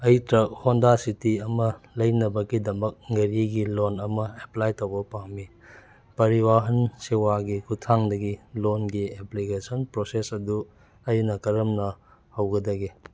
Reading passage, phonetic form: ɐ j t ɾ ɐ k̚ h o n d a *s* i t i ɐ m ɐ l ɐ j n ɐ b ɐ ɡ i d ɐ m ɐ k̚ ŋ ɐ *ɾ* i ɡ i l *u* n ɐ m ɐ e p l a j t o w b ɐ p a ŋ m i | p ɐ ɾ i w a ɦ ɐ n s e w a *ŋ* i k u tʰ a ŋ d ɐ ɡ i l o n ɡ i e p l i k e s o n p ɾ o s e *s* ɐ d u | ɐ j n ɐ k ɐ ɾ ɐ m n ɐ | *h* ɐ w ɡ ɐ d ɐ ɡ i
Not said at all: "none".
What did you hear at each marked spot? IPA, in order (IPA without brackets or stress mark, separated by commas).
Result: s, ɾ, o, ɡ, s, h